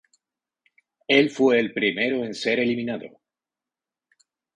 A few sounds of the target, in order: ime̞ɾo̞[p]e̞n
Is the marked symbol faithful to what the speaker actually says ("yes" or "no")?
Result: no